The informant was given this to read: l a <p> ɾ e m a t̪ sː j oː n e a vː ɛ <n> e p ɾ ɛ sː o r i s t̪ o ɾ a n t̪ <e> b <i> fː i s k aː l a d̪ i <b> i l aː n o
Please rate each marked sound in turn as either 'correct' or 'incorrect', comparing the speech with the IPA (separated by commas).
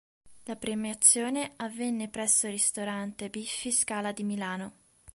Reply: correct, incorrect, correct, correct, incorrect